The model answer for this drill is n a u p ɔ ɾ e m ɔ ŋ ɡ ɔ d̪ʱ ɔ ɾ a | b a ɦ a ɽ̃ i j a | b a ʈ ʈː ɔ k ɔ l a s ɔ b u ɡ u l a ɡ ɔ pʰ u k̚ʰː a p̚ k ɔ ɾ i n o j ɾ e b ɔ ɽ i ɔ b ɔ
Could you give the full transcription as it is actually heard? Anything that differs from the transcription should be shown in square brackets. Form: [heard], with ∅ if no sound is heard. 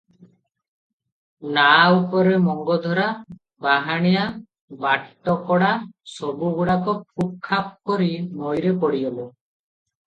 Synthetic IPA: n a u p ɔ ɾ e m ɔ ŋ ɡ ɔ d̪ʱ ɔ ɾ a | b a ɦ a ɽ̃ i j a | b a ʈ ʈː ɔ k ɔ [ɽ] a s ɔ b u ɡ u [ɽ] a [k] ɔ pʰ u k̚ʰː a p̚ k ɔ ɾ i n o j ɾ e [p] ɔ ɽ i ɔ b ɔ